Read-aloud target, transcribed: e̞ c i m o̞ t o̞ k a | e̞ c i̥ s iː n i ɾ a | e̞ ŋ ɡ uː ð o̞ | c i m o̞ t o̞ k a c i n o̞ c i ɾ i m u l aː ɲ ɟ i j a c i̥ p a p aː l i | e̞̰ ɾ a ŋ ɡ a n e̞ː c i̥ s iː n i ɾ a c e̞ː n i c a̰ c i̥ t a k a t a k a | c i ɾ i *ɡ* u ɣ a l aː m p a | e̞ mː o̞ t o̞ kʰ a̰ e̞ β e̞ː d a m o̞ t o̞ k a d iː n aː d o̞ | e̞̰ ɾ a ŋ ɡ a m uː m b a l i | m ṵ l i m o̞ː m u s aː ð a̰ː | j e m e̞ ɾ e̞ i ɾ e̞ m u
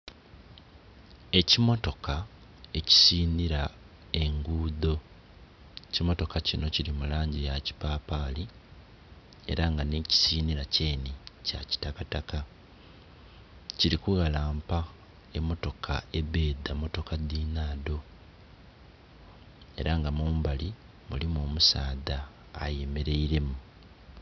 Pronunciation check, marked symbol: incorrect: k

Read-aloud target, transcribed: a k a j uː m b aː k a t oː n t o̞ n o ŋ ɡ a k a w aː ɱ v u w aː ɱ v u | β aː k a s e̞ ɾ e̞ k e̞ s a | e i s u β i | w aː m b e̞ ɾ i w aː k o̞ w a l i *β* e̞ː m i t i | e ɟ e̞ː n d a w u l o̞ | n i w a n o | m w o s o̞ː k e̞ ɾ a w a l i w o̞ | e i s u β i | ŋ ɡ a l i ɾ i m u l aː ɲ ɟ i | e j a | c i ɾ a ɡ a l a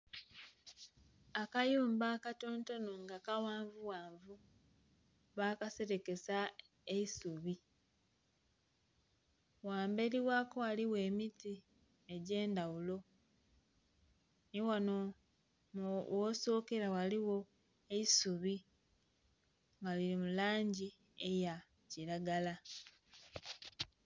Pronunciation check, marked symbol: incorrect: w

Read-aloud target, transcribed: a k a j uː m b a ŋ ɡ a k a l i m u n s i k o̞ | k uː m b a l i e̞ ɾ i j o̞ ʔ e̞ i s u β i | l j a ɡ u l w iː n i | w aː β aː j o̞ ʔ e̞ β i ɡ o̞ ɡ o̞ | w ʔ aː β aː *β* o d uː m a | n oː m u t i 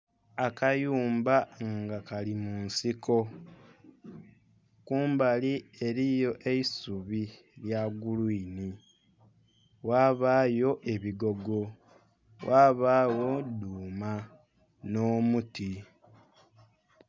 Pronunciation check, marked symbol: incorrect: w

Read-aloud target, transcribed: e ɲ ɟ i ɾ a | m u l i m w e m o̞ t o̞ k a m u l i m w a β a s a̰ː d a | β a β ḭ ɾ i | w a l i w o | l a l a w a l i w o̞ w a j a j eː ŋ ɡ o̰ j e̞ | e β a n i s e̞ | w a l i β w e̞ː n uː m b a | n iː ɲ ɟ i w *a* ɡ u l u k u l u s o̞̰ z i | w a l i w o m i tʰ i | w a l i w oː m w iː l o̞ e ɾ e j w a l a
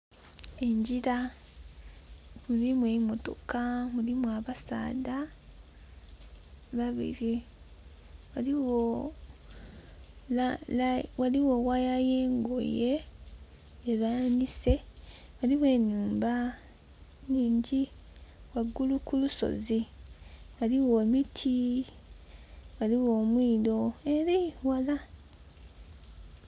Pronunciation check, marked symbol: correct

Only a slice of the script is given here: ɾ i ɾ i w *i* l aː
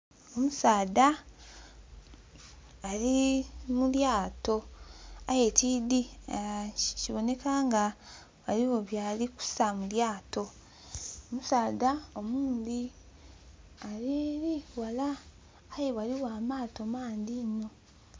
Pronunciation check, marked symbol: incorrect: a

